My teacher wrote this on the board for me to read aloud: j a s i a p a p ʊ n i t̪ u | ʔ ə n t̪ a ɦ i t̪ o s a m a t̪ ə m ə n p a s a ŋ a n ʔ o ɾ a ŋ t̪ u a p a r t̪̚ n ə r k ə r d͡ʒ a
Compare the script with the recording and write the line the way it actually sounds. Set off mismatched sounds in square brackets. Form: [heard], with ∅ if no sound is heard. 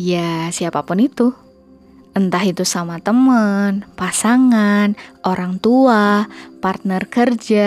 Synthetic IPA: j a s i a p a p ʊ n i t̪ u | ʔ ə n t̪ a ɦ i t̪ [u] s a m a t̪ ə m ə n p a s a ŋ a n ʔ o ɾ a ŋ t̪ u a p a r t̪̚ n ə r k ə r d͡ʒ a